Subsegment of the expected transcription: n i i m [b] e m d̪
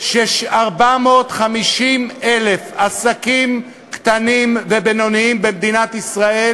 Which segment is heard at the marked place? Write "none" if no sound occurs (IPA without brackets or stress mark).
b